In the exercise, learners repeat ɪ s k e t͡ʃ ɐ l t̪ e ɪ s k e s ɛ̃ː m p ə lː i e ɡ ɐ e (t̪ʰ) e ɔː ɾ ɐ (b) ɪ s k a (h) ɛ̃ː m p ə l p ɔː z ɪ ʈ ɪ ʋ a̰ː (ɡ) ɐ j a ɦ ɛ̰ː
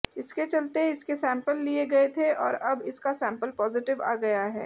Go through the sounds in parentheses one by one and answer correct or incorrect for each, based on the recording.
correct, correct, incorrect: s, correct

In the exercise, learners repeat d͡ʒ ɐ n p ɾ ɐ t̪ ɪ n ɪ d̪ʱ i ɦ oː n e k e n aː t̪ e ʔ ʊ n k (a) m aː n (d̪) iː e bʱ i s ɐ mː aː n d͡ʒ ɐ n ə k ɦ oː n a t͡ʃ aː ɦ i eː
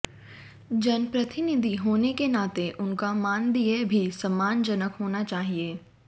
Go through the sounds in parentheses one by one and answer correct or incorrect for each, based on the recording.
correct, correct

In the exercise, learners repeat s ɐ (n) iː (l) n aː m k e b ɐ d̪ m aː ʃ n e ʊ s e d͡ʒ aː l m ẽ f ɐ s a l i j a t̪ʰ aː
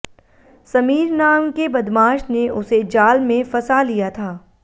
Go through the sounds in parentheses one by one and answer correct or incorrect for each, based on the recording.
incorrect: m, incorrect: ɾ

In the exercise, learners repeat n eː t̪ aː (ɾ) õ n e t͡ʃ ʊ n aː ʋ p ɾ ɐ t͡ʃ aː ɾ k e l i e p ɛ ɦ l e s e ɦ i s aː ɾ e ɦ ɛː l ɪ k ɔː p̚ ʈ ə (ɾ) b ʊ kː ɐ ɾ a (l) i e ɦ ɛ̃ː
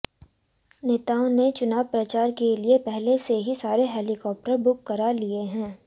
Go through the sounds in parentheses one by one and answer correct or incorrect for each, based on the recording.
incorrect: none, correct, correct

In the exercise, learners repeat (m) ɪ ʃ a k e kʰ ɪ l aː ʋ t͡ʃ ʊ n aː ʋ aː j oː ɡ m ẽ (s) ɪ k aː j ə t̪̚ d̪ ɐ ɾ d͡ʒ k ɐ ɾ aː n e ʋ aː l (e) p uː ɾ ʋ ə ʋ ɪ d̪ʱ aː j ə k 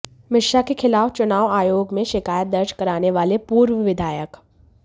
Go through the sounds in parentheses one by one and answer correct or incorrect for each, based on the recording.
correct, incorrect: ʃ, correct

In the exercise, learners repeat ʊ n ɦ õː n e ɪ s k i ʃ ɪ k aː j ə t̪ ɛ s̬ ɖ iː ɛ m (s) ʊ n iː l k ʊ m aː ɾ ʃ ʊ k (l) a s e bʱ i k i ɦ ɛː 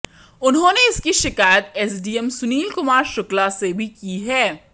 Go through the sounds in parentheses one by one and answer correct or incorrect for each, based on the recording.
correct, correct

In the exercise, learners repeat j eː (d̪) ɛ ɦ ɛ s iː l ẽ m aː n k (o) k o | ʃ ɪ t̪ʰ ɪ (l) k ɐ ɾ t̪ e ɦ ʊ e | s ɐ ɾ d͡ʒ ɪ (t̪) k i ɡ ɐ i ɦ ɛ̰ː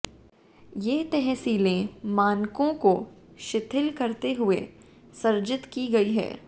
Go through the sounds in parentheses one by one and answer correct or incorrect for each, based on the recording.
incorrect: t̪, incorrect: õ, correct, correct

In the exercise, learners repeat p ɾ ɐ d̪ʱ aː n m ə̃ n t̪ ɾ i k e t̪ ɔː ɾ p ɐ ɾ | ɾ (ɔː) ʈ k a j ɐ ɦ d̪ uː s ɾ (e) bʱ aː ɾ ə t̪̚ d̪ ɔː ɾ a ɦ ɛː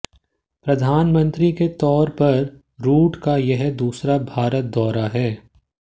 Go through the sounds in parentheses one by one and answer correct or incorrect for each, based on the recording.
incorrect: uː, incorrect: a

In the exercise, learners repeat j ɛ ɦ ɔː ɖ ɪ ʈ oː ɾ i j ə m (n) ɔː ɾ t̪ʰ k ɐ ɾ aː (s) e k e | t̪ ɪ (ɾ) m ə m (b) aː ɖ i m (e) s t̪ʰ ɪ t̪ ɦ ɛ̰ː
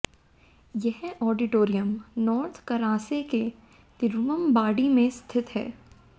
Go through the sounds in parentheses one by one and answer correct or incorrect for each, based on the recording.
correct, correct, correct, correct, incorrect: ẽ

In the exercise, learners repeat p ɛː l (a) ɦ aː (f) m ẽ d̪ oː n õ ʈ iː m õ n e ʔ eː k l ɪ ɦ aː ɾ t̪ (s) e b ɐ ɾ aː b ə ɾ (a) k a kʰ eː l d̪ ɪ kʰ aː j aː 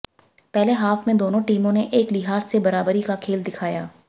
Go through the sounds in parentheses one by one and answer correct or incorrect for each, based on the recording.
incorrect: e, correct, correct, incorrect: i

